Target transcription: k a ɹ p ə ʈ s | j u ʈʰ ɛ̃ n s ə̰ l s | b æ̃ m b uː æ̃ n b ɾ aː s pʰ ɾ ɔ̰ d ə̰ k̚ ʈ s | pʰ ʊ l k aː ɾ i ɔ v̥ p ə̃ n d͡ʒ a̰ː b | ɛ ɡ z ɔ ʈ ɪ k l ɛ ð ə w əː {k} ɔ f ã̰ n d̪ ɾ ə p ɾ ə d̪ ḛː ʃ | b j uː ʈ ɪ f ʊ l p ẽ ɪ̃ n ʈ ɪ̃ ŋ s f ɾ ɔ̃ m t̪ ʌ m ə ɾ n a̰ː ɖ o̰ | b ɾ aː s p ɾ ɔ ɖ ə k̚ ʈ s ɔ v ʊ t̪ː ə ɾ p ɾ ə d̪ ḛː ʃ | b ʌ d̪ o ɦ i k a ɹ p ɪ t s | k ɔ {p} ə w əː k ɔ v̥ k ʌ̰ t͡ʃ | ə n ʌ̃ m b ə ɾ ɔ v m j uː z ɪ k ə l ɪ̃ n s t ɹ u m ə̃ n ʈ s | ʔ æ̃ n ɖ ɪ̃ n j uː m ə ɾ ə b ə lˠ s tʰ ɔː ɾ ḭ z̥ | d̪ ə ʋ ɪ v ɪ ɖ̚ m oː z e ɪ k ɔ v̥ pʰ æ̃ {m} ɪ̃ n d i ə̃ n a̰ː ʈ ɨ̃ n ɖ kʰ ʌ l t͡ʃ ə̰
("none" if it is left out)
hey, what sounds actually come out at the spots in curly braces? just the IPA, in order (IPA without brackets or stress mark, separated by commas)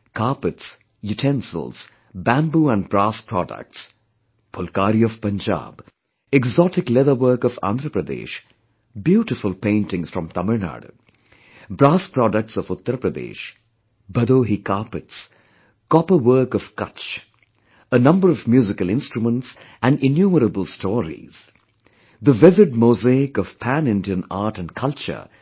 k, p, n